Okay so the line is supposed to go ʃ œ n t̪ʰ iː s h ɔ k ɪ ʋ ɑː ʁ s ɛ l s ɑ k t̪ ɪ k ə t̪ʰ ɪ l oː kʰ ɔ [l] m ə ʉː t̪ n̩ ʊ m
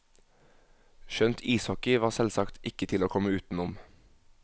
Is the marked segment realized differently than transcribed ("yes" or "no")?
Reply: yes